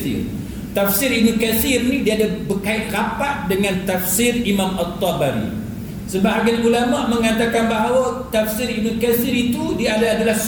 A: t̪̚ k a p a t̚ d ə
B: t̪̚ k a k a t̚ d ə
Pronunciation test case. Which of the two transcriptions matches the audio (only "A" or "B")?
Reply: A